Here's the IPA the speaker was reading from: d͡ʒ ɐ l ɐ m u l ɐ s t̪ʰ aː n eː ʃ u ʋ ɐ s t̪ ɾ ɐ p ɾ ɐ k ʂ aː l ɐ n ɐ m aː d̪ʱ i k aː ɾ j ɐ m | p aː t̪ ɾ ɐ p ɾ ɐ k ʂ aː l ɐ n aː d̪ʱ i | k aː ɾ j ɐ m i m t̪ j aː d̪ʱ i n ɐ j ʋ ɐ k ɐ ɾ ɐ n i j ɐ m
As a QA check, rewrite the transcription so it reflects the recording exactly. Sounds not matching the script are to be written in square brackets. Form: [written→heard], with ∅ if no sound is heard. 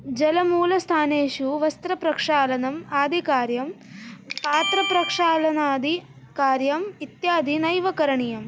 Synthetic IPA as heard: d͡ʒ ɐ l ɐ m [u→uː] l ɐ s t̪ʰ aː n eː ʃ u ʋ ɐ s t̪ ɾ ɐ p ɾ ɐ k ʂ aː l ɐ n ɐ m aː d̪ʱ i k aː ɾ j ɐ m | p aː t̪ ɾ ɐ p ɾ ɐ k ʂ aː l ɐ n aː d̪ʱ i | k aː ɾ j ɐ m i [m→∅] t̪ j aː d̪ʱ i n ɐ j ʋ ɐ k ɐ ɾ ɐ [n→ɳ] i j ɐ m